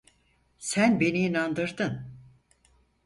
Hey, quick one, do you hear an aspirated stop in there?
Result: no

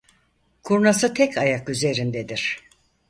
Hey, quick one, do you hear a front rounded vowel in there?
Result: yes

